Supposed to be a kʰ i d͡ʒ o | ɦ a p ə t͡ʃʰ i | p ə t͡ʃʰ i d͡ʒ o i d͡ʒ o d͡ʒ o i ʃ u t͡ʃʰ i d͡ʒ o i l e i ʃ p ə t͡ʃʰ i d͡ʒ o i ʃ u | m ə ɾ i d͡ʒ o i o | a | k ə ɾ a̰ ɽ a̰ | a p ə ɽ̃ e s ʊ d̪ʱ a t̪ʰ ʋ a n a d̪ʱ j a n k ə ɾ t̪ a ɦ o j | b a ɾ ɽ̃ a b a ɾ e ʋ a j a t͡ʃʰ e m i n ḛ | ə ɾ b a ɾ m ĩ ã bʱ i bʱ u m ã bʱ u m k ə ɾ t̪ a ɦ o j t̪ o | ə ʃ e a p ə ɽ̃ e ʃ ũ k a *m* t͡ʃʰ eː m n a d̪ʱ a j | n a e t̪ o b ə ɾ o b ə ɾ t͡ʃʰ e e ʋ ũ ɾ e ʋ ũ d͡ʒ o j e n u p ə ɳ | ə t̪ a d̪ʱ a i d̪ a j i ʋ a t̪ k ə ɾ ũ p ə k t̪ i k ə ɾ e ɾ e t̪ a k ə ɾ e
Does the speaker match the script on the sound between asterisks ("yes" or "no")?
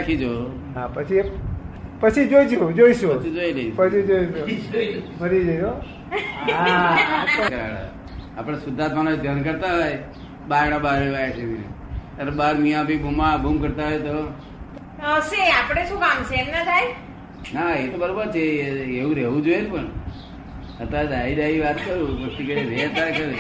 yes